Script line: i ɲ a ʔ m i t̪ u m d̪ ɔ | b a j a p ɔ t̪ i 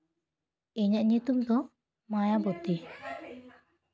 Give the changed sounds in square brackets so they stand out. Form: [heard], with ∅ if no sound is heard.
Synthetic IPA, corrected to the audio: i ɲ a ʔ [ɲ] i t̪ u m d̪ ɔ | [m] a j a [b] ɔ t̪ i